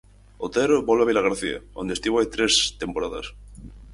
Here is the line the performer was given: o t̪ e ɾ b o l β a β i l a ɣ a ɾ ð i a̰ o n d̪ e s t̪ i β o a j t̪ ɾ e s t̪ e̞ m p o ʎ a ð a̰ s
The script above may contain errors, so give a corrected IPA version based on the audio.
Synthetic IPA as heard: o t̪ e ɾ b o l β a β i l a ɣ a ɾ θ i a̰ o n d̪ e s t̪ i β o a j t̪ ɾ e s t̪ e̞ m p o ɾ a ð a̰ s